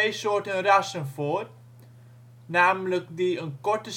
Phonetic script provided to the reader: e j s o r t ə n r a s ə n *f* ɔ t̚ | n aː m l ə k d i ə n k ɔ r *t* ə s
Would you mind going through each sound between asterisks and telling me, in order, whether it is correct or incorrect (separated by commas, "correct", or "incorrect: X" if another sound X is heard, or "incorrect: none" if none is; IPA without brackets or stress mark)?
correct, correct